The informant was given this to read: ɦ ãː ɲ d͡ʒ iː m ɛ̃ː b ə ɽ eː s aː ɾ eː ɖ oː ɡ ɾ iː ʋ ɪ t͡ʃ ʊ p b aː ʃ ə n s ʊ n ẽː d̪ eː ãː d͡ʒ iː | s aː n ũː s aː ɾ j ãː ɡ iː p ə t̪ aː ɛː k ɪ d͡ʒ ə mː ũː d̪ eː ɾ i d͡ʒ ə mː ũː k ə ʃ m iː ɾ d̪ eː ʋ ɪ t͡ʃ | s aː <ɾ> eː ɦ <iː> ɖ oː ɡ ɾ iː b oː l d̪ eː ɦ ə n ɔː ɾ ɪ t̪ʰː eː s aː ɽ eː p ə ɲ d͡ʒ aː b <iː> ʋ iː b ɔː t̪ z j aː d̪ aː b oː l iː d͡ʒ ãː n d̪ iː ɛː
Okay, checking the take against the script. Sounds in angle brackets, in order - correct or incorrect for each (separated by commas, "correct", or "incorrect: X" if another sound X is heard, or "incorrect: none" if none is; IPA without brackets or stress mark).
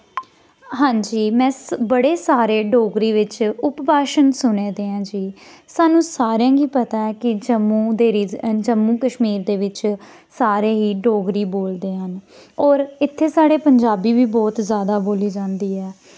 correct, correct, correct